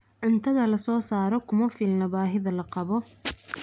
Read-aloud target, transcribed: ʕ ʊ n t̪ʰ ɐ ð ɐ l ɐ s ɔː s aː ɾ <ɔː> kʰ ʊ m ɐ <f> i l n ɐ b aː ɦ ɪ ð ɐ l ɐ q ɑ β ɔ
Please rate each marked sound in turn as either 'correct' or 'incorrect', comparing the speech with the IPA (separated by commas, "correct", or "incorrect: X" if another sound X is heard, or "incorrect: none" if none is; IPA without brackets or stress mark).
incorrect: ɔ, correct